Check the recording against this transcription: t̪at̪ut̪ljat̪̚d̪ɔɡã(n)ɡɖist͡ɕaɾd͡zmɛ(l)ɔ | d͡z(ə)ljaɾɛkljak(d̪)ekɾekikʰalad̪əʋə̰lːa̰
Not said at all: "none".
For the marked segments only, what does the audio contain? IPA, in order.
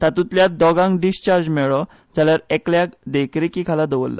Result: ŋ, ɭ, a, d̪

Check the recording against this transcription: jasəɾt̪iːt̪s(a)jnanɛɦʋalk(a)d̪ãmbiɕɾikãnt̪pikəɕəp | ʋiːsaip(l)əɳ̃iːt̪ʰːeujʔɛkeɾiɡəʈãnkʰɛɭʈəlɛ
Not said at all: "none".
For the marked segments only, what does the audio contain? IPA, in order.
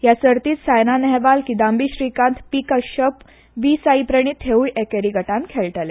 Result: a, i, ɾ

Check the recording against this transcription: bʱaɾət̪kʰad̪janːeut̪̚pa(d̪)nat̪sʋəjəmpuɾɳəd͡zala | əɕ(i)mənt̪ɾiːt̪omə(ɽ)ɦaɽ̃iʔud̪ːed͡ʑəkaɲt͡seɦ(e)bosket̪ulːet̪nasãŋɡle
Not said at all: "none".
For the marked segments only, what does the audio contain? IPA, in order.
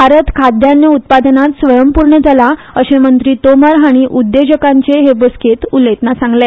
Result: d̪, e, ɾ, e

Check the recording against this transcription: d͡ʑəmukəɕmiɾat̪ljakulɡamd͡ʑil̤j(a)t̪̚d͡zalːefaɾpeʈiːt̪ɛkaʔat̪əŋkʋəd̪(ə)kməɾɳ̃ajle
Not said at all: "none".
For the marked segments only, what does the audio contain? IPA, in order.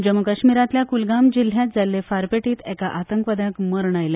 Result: a, a

